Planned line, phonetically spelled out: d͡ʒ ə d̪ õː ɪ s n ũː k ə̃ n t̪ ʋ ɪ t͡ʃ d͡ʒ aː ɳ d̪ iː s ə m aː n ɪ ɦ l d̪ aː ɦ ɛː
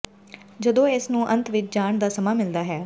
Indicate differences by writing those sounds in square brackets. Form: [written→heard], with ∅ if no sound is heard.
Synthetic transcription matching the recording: d͡ʒ ə d̪ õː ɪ s n ũː [k→ʔ] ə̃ n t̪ ʋ ɪ t͡ʃ d͡ʒ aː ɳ d̪ [iː→aː] s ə m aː [n→m] ɪ [ɦ→∅] l d̪ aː ɦ ɛː